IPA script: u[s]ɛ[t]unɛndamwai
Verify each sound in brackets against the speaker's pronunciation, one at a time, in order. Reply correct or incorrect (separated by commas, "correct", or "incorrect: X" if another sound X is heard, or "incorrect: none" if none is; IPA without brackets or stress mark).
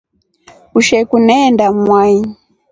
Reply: incorrect: ʃ, incorrect: k